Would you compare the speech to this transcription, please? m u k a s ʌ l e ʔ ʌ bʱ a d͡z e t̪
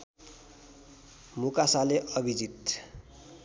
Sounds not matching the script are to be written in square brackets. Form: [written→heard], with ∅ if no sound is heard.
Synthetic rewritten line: m u k a s [ʌ→a] l e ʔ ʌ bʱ [a→i] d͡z [e→i] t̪